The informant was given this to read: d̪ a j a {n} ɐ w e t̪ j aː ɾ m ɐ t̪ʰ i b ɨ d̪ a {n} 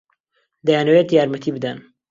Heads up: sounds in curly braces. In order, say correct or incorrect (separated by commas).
correct, correct